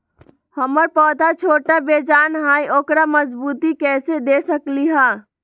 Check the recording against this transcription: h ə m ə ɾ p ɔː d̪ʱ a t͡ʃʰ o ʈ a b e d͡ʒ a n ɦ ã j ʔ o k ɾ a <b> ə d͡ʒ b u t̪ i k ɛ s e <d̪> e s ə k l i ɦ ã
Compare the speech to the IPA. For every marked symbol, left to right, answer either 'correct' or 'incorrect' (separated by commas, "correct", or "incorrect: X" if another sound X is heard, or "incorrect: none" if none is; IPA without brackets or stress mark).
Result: incorrect: m, correct